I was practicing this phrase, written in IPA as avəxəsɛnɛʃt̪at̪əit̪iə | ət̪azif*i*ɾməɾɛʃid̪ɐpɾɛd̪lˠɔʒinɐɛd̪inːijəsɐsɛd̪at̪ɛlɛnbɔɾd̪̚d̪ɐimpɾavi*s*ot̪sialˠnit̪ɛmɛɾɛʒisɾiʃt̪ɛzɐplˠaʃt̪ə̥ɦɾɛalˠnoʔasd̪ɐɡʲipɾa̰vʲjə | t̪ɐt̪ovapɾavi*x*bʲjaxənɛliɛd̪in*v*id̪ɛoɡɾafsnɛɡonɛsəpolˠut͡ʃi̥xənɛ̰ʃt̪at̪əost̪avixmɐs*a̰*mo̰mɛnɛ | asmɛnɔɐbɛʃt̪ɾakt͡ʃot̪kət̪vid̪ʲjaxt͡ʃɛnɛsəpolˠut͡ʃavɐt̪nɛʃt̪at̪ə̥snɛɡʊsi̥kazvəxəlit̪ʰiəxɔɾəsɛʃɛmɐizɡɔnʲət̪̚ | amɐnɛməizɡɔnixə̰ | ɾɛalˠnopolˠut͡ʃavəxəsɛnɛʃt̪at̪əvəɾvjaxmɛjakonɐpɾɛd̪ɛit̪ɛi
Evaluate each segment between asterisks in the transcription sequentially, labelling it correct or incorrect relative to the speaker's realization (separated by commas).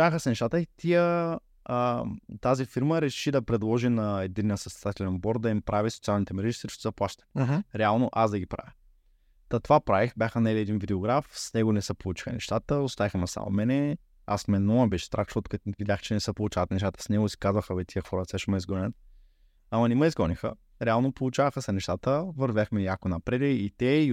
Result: correct, correct, correct, correct, correct